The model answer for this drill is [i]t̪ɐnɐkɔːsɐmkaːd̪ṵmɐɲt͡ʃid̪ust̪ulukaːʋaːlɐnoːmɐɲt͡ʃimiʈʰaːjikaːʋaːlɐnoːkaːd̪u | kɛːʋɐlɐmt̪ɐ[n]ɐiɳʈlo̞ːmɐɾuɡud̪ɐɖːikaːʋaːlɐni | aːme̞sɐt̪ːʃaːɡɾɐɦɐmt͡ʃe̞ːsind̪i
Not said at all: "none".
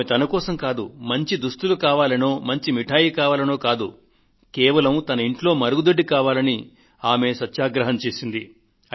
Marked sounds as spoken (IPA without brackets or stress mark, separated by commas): e, n